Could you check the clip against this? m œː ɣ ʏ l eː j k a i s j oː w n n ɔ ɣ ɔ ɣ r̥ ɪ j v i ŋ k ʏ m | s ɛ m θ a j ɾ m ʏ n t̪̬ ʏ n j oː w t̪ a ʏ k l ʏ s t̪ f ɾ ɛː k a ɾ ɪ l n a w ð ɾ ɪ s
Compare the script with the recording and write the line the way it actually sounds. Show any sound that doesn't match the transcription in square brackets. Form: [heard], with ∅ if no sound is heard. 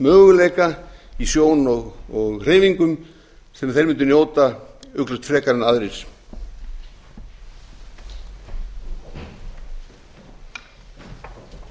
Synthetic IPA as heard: m œː ɣ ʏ l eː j k a i s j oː w n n ɔ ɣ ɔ ɣ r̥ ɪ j v i ŋ k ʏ m | s ɛ m θ [e] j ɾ m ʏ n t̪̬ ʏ n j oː w t̪ a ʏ k l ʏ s t̪ f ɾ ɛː k a ɾ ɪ [∅] n a [∅] ð ɾ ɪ s

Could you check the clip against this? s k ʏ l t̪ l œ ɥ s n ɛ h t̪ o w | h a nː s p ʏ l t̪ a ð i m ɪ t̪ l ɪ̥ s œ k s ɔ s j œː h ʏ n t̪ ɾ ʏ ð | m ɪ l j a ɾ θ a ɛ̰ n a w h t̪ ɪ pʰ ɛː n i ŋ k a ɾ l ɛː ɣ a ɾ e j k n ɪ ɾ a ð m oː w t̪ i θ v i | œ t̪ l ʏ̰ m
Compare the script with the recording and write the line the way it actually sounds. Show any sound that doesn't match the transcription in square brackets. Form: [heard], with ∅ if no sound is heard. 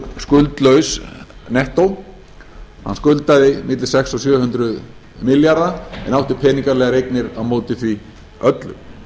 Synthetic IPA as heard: s k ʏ l t̪ l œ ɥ s n ɛ h t̪ o w | h a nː s [k] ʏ l t̪ a ð [ɪ] m ɪ t̪ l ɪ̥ s [ɛ] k s ɔ s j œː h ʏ n t̪ ɾ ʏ ð | m ɪ l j a ɾ [ð] a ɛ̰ n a w h t̪ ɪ pʰ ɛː n i ŋ k a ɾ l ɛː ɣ a ɾ e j k n ɪ ɾ a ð m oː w t̪ [ɪ] θ v i | œ t̪ l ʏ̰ m

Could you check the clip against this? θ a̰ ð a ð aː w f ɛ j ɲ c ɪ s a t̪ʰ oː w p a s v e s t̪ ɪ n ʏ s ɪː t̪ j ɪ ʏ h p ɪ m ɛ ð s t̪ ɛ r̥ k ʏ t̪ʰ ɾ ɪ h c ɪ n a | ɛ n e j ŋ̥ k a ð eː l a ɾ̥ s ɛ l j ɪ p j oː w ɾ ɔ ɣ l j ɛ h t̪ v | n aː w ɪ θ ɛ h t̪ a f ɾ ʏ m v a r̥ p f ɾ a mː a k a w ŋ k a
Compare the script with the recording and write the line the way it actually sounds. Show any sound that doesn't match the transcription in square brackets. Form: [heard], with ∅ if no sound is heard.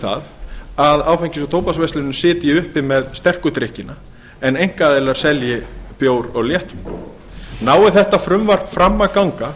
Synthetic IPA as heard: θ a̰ ð a ð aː w f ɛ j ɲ c ɪ s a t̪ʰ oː w p a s v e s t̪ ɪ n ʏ s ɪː t̪ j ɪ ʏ h p ɪ m ɛ ð s t̪ ɛ r̥ k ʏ [t̪] ɾ ɪ h c ɪ n a | ɛ n e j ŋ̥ k a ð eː l a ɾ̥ s ɛ l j ɪ p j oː w ɾ ɔ ɣ l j ɛ h t̪ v | n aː w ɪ θ ɛ h t̪ a f ɾ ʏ m v a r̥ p f ɾ a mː a k a w ŋ k a

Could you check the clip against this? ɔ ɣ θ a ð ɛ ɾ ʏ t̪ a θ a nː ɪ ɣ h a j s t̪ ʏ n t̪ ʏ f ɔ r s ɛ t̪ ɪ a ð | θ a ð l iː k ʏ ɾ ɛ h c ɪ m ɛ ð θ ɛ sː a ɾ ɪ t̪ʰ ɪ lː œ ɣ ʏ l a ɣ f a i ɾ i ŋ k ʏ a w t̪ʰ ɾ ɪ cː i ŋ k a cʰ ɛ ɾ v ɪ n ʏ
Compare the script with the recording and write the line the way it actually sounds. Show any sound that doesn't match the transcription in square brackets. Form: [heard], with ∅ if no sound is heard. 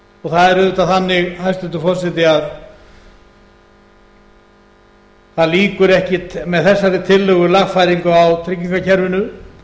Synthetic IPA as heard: ɔ ɣ θ a ð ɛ ɾ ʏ t̪ a θ a nː ɪ ɣ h a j s t̪ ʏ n t̪ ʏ f ɔ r s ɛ t̪ ɪ a ð | θ a ð l iː k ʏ ɾ ɛ h c ɪ m ɛ ð θ ɛ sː a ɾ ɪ t̪ʰ ɪ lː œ ɣ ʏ l a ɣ f a [j] ɾ i ŋ k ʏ a w t̪ʰ ɾ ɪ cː i ŋ k a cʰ ɛ ɾ v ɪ n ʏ

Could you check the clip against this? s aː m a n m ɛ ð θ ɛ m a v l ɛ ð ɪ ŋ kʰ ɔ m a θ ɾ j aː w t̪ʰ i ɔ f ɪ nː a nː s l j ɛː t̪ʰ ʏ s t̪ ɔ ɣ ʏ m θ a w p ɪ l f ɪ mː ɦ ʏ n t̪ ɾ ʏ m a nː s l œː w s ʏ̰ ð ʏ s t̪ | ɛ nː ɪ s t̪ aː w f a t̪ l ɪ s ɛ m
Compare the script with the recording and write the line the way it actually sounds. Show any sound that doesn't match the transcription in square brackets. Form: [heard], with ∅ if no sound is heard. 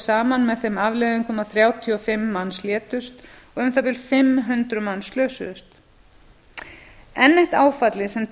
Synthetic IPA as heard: s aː m a n m ɛ ð θ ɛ m a v l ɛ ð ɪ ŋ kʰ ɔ m a θ ɾ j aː w t̪ʰ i ɔ f ɪ [mː] a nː s l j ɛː [t̪] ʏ s t̪ ɔ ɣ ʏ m θ a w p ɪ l f ɪ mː ɦ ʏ n t̪ ɾ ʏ m a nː s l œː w s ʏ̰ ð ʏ s t̪ | ɛ nː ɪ [h] t̪ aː w f a t̪ l ɪ s ɛ m

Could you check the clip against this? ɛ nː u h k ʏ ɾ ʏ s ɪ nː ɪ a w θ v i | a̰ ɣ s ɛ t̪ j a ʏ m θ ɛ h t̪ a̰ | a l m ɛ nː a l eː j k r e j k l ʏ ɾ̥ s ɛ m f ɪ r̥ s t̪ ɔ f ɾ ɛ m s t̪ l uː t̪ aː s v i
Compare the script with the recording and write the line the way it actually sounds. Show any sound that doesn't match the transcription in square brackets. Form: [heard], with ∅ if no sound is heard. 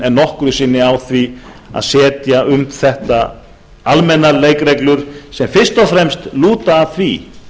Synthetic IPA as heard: ɛ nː [ɔ] h k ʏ ɾ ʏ s ɪ nː ɪ a w θ v i | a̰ [ð] s [ɛː] t̪ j a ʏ m θ ɛ h t̪ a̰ | a l m ɛ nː a l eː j k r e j k l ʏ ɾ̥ s ɛ m f ɪ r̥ s t̪ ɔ f ɾ ɛ m s t̪ l uː t̪ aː [θ] v i

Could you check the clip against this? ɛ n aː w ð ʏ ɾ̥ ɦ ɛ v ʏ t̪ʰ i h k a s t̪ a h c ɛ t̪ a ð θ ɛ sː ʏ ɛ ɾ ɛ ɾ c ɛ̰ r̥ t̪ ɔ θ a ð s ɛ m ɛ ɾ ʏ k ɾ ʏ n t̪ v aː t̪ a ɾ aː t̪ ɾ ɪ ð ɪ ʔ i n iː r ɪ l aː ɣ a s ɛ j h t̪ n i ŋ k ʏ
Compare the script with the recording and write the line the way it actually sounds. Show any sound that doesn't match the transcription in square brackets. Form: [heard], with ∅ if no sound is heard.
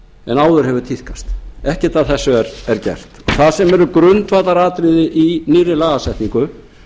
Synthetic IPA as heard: ɛ n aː w ð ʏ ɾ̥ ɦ ɛ v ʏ t̪ʰ i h k a s t̪ [ɛ] h c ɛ t̪ a ð θ ɛ sː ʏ ɛ ɾ ɛ ɾ c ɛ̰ r̥ t̪ ɔ θ a ð s ɛ m ɛ ɾ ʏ k ɾ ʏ n t̪ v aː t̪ a ɾ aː t̪ ɾ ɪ ð ɪ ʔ i n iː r ɪ l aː ɣ a s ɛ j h t̪ n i ŋ k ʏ

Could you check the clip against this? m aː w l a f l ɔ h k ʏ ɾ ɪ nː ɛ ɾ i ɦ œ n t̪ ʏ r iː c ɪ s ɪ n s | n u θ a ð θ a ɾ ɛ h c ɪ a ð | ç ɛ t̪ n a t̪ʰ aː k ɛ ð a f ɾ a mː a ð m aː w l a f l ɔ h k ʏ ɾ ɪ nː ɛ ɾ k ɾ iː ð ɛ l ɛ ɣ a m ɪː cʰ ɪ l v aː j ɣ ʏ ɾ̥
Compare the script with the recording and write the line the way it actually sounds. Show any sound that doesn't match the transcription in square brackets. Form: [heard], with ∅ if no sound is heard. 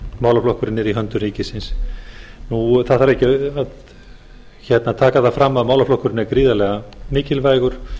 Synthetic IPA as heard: m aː w l a f l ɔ h k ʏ ɾ ɪ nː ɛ ɾ i ɦ œ n t̪ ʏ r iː c ɪ s ɪ n s | n u θ a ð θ a ɾ ɛ h c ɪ a ð | ç ɛ t̪ n a t̪ʰ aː k [a] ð a f ɾ a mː a ð m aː w l a f l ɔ h k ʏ ɾ ɪ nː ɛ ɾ k ɾ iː ð [a] l ɛ ɣ a m ɪː [c] ɪ l v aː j ɣ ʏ ɾ̥

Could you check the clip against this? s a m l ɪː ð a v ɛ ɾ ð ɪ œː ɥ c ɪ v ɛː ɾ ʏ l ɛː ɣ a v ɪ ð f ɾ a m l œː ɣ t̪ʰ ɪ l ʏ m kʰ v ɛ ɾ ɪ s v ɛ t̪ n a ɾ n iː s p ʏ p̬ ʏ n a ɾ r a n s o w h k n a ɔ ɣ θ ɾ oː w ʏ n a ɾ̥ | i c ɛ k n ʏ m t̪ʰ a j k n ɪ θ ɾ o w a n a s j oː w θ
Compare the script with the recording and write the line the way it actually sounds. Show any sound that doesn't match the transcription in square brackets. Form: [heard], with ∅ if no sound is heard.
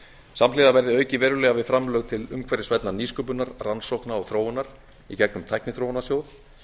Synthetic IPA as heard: s a m l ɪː ð a v ɛ ɾ ð ɪ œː ɥ c ɪ v ɛː ɾ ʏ l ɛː ɣ a v ɪ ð f ɾ a m l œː ɣ t̪ʰ ɪ l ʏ m kʰ v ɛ ɾ ɪ s v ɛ t̪ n a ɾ n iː s [k] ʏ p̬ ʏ n a ɾ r a n s o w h k n a ɔ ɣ θ ɾ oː w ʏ n a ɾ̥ | i c ɛ k n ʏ m t̪ʰ a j k n ɪ θ ɾ o w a n a s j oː w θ

